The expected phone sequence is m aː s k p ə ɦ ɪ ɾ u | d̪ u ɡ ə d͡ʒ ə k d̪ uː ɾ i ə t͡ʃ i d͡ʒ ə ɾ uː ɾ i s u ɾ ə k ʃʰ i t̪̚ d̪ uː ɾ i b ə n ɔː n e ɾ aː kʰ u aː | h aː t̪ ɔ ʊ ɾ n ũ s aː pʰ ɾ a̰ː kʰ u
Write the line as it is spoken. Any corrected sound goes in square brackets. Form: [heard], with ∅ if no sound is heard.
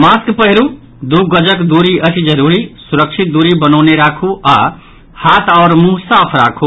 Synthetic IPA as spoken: m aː s k p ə ɦ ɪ ɾ u | d̪ u ɡ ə d͡ʒ ə k d̪ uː ɾ i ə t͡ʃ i d͡ʒ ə ɾ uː ɾ i s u ɾ ə k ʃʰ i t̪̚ d̪ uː ɾ i b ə n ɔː n e ɾ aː kʰ u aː | h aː t̪ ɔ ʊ ɾ [m] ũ s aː pʰ ɾ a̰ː kʰ u